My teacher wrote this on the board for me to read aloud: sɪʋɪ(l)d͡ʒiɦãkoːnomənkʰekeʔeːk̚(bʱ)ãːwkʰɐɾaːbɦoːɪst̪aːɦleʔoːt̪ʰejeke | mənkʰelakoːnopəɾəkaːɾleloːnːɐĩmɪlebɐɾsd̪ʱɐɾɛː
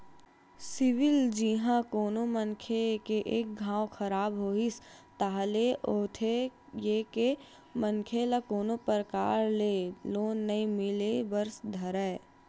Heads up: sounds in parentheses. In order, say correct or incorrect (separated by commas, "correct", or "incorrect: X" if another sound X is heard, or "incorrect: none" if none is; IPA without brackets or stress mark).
correct, incorrect: ɡʱ